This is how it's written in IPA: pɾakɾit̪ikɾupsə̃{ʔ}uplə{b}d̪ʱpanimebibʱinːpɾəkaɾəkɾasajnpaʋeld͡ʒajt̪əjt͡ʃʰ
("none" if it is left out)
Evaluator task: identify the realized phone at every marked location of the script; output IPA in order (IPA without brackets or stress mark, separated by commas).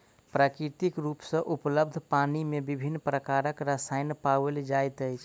ʔ, b